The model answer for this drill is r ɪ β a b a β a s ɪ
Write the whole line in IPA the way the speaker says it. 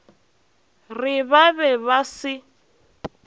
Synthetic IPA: r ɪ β a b ɛ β a s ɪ